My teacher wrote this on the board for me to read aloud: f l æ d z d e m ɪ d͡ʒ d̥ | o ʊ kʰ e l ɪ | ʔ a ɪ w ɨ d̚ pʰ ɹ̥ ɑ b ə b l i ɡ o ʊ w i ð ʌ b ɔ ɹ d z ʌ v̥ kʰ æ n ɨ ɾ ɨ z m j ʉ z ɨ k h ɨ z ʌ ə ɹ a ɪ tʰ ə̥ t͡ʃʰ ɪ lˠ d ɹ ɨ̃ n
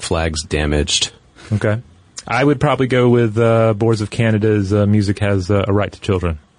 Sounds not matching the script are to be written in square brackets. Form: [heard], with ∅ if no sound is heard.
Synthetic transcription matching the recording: f l æ [ɡ] z d [æ] m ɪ d͡ʒ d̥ | o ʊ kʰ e [∅] ɪ | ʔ a ɪ w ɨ d̚ pʰ ɹ̥ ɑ b ə b l i ɡ o ʊ w [ɪ] ð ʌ b ɔ ɹ d z ʌ v̥ kʰ æ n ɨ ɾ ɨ z m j ʉ z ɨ k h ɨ z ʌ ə ɹ a ɪ tʰ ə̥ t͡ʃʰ ɪ lˠ d ɹ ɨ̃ n